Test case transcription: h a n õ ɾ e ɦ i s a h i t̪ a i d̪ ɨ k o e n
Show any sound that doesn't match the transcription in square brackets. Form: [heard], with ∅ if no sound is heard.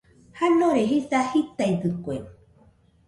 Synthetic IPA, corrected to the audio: h a n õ ɾ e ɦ i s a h i t̪ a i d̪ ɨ k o e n